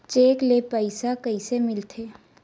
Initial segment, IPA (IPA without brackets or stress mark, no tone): t͡ʃ